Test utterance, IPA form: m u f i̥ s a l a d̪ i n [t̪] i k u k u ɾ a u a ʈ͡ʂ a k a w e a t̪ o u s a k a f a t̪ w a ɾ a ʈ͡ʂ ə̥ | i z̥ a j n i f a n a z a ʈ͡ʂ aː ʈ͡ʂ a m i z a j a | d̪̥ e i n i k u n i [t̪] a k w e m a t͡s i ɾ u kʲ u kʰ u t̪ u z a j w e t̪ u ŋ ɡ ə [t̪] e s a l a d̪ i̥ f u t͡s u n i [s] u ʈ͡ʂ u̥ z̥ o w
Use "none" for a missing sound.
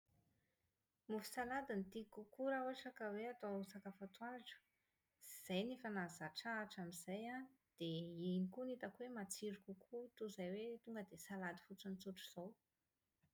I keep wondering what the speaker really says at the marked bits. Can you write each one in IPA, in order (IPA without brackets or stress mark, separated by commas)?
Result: t̪, t̪, d̪, t͡s